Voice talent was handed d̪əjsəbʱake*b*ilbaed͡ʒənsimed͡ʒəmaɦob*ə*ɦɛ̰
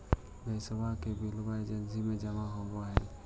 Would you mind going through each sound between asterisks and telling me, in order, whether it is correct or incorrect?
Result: correct, incorrect: a

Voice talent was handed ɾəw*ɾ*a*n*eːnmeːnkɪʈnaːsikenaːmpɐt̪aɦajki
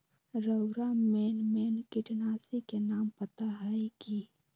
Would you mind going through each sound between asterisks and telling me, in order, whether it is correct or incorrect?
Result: correct, incorrect: m

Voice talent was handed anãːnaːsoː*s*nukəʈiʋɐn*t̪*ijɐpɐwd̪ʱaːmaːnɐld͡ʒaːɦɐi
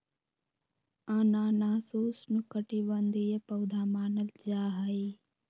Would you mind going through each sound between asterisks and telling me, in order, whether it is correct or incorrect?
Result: correct, incorrect: d̪

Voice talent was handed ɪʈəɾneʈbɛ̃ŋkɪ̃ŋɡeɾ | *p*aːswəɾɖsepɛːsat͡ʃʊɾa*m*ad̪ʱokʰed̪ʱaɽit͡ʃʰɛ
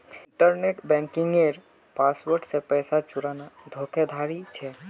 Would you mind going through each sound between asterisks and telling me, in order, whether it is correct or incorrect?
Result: correct, incorrect: n

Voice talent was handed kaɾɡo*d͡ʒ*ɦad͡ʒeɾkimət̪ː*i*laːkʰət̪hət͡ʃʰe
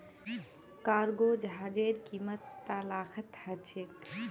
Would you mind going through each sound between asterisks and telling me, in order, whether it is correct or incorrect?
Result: correct, incorrect: a

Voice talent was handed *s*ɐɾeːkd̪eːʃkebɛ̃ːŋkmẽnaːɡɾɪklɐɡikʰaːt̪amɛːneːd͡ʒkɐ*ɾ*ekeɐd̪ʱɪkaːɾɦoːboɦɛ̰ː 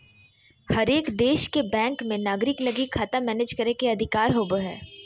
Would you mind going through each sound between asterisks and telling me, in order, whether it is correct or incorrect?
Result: incorrect: h, correct

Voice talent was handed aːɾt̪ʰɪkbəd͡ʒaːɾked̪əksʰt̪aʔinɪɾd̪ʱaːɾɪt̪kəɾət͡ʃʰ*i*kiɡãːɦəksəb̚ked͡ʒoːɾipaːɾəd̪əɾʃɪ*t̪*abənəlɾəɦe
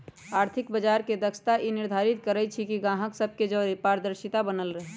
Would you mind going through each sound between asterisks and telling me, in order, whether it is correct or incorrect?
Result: correct, correct

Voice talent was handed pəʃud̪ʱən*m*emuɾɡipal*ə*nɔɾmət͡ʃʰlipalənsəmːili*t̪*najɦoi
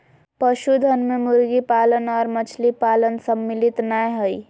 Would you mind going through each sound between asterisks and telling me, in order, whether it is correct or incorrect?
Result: correct, correct, correct

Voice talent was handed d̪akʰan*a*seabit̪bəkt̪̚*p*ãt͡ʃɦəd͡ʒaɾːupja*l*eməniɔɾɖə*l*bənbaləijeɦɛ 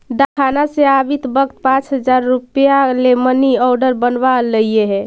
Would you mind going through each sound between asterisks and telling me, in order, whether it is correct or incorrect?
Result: correct, correct, correct, incorrect: ɾ

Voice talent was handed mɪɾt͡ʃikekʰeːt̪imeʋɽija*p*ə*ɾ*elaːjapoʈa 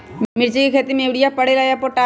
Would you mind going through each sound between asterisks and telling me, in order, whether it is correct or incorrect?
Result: correct, incorrect: ɽ

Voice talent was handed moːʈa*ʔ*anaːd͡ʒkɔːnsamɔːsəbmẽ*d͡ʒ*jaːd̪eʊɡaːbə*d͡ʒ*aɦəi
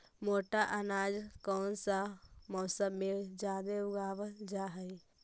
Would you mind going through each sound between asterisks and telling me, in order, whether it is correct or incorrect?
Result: correct, correct, correct

